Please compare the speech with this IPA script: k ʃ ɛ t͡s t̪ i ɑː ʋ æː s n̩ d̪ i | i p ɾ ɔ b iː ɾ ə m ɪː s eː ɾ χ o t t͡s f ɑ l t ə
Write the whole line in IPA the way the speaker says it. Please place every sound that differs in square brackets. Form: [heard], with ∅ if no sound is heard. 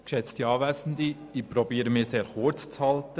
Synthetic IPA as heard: k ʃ ɛ t͡s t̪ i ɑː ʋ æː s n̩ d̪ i | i p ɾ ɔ b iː ɾ ə m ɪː s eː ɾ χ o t t͡s [h] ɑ l t ə